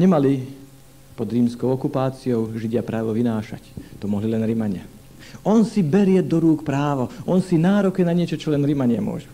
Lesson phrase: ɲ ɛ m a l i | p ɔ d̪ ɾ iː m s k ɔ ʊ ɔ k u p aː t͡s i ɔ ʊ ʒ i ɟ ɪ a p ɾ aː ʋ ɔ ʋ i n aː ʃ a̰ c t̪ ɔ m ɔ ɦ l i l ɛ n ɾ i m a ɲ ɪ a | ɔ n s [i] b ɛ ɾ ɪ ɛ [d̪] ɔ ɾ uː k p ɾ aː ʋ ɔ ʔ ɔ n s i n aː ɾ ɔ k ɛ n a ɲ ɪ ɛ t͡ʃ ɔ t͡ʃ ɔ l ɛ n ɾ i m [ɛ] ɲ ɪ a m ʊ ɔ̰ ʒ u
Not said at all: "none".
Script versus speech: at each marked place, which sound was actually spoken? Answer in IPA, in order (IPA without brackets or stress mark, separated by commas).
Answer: i, d̪, a